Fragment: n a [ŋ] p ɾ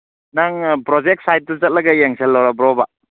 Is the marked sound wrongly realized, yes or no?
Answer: no